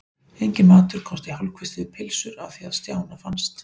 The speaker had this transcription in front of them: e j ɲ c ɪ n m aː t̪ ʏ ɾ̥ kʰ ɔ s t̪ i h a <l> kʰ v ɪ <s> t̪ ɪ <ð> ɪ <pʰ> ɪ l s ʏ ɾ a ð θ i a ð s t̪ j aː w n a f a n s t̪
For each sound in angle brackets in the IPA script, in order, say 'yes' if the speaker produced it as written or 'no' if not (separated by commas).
yes, yes, yes, yes